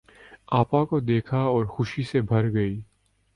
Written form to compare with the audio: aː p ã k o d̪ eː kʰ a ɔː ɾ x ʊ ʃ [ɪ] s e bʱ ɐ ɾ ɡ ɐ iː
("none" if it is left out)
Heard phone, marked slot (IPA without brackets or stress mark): i